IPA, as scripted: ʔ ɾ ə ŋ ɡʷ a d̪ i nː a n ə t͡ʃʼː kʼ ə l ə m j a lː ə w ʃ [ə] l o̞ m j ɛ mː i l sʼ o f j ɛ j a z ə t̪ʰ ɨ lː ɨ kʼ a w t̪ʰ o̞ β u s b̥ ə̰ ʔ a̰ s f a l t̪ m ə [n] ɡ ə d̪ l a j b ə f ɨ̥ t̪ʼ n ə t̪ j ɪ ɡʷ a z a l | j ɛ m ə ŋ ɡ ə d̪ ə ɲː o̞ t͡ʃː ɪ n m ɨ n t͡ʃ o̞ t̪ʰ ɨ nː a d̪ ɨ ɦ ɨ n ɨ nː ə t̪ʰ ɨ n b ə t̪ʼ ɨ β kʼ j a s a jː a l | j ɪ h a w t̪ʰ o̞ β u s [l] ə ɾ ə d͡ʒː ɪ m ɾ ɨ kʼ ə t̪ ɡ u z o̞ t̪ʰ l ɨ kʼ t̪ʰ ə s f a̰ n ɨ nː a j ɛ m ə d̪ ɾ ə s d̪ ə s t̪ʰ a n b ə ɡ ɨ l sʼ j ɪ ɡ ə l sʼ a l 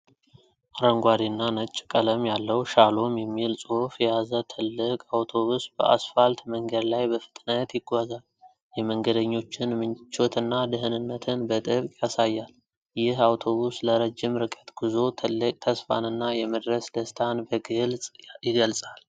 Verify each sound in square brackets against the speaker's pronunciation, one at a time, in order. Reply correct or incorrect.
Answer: incorrect, incorrect, correct

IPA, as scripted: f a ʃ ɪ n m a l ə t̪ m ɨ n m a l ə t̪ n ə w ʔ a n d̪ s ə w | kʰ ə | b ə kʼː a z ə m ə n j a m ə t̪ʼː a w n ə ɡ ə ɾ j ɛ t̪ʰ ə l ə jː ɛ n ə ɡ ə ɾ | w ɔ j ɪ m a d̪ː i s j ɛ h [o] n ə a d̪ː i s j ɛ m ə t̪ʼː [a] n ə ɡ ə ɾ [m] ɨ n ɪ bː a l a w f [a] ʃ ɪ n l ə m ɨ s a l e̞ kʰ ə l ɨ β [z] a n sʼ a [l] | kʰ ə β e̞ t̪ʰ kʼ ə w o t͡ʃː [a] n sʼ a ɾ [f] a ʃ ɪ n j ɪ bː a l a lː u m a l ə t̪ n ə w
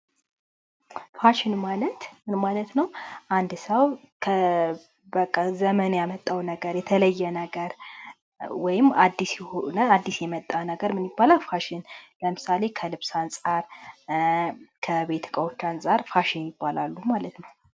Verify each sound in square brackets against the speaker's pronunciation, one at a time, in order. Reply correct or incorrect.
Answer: correct, correct, correct, correct, incorrect, incorrect, correct, correct

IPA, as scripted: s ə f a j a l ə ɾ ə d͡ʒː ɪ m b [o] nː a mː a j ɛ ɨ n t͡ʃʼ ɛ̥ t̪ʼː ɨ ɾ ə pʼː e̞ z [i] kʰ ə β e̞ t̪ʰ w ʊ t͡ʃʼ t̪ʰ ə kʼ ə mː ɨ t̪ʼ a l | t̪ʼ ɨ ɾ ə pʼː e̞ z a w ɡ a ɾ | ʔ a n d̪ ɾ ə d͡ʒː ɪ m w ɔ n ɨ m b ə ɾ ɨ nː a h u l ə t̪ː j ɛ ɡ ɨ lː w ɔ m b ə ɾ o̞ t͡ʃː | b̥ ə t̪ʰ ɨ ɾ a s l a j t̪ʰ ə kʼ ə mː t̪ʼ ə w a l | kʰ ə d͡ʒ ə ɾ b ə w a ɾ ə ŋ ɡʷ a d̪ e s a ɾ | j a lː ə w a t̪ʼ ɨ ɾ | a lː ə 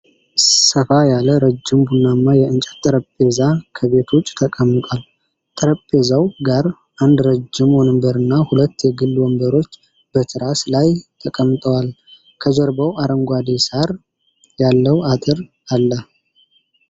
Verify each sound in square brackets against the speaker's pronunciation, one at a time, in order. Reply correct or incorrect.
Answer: incorrect, incorrect

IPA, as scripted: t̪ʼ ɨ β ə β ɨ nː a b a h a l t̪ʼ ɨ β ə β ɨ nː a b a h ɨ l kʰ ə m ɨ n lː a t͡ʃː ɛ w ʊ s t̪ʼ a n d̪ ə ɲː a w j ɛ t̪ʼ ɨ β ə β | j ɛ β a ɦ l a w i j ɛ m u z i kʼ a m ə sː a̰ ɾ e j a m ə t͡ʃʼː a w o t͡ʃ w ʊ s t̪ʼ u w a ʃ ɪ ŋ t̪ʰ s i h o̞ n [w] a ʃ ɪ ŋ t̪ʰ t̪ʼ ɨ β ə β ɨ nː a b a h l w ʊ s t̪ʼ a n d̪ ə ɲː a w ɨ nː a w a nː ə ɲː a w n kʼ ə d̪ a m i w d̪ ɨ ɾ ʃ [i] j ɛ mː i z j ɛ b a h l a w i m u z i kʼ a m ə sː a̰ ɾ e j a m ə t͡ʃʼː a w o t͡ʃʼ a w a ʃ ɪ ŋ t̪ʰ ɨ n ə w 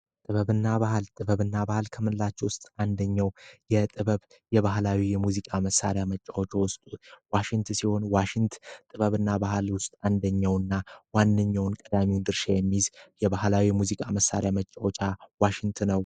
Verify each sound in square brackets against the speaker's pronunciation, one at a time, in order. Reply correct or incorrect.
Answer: correct, incorrect

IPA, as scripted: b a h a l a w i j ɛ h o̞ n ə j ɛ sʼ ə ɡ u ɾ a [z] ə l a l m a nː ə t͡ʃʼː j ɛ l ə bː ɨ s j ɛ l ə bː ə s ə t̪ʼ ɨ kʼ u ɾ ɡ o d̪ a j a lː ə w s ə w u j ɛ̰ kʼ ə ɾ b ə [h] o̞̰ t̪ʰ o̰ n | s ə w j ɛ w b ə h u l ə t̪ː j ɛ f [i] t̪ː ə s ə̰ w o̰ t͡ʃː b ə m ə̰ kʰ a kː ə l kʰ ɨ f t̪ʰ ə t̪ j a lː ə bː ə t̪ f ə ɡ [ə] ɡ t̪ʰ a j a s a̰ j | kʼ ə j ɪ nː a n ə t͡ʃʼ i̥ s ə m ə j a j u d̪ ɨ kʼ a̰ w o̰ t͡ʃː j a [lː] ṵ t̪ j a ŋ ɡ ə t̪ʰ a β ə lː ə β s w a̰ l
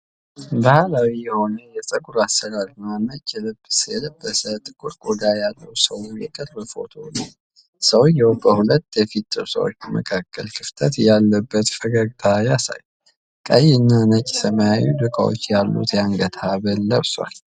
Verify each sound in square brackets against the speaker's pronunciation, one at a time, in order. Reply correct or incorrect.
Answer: incorrect, incorrect, correct, incorrect, correct

